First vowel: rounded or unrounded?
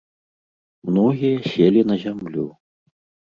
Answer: rounded